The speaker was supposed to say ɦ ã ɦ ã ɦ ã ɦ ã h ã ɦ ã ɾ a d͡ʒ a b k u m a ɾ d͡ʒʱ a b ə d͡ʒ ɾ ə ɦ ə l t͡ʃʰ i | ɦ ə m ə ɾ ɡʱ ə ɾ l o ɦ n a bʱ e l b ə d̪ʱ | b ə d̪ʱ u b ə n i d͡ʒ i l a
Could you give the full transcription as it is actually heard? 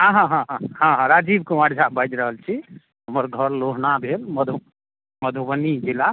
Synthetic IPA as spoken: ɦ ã ɦ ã ɦ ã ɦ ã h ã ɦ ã ɾ a d͡ʒ i b k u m a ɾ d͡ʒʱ a b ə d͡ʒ ɾ ə ɦ ə l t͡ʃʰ i | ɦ ə m ə ɾ ɡʱ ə ɾ l o ɦ n a bʱ e l m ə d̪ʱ | m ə d̪ʱ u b ə n i d͡ʒ i l a